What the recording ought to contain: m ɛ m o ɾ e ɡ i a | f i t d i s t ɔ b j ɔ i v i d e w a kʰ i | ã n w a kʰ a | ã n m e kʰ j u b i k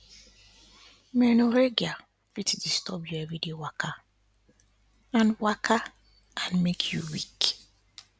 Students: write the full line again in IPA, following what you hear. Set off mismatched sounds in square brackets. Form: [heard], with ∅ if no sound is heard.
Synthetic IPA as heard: m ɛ [n] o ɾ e ɡ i a | f i t d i s t ɔ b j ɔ [ɛ] v i d e w a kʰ [a] | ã n w a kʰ a | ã n m e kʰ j u [w] i k